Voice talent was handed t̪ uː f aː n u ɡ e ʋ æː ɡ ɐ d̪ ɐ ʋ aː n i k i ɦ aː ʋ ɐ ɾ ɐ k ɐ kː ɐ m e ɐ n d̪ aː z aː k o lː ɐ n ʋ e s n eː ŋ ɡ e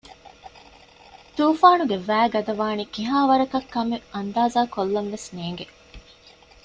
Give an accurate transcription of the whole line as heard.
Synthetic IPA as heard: t̪ uː f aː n u ɡ e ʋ æː ɡ ɐ d̪ ɐ ʋ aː n i k i ɦ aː ʋ ɐ ɾ ɐ k ɐ kː ɐ m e ɐ n d̪ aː z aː k o lː ɐ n ʋ e s n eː ŋ ɡ e